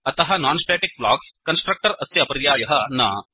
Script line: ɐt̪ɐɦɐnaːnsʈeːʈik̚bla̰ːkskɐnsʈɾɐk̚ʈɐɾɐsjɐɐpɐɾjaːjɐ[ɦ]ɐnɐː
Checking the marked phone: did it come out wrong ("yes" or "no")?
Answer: no